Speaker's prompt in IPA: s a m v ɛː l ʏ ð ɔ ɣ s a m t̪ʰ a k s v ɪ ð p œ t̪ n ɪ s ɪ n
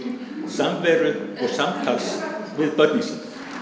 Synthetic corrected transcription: s a m v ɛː ɾ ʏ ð ɔ ɣ s a m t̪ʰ a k s v ɪ ð p œ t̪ n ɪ s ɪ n